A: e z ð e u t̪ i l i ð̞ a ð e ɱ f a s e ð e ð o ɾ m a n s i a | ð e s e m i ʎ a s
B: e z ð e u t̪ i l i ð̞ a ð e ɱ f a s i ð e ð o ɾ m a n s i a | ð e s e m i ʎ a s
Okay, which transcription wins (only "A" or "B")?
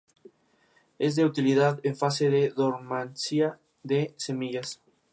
A